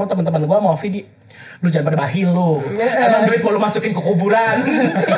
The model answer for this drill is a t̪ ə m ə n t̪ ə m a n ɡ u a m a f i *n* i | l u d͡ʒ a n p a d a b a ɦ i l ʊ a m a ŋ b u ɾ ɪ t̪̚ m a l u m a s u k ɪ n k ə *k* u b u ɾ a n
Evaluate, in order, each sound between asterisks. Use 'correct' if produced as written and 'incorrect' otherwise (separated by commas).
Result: incorrect, correct